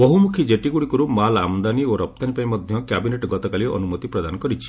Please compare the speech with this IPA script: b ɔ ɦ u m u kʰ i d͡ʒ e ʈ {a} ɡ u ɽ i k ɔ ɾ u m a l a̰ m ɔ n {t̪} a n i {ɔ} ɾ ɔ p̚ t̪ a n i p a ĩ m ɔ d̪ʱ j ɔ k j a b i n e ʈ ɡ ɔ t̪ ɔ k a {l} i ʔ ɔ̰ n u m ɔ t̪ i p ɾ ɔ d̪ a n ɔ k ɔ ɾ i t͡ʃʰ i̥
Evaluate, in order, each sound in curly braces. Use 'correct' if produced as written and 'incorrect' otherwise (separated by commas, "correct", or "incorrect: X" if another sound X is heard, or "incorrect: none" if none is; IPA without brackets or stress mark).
incorrect: i, incorrect: d̪, incorrect: o, correct